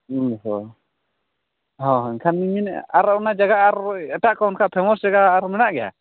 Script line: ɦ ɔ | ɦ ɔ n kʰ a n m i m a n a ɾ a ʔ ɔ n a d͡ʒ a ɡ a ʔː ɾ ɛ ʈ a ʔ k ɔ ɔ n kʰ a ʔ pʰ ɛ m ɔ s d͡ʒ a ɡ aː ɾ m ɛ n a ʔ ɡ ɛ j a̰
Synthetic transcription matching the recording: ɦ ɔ | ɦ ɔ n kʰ a n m i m i n a ɾ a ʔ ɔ n a d͡ʒ a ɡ a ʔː ɾ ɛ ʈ a ʔ k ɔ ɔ n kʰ a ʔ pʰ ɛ m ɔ s d͡ʒ a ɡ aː ɾ m ɛ n a ʔ ɡ ɛ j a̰